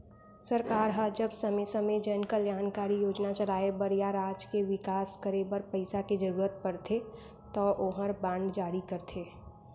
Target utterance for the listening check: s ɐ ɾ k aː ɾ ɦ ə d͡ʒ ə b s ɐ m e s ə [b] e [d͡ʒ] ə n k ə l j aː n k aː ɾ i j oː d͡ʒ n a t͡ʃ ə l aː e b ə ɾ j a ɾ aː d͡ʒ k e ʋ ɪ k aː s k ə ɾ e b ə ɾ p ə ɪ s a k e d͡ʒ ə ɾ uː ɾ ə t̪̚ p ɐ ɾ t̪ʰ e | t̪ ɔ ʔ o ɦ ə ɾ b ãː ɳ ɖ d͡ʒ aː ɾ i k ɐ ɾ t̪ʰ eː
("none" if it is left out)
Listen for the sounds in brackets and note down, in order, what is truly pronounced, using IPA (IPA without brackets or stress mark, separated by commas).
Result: m, d͡ʒ